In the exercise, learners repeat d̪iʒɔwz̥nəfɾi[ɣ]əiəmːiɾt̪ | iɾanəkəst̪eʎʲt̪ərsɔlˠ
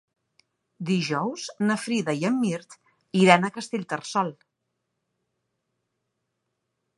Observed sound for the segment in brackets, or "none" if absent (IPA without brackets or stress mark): ð